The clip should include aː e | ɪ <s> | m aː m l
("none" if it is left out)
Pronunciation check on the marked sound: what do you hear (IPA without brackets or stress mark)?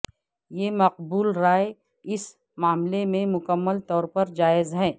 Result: s